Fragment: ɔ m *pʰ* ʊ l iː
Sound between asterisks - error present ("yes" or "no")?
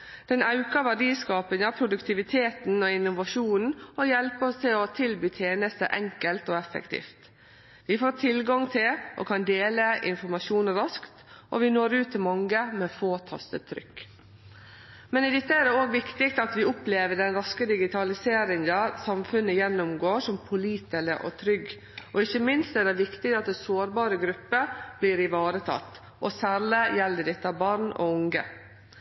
no